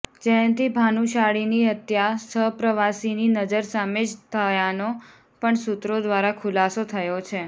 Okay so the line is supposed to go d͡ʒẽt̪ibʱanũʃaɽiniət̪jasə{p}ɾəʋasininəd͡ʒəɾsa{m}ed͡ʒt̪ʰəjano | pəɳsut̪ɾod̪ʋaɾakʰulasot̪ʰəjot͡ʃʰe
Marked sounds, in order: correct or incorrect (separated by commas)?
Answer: correct, correct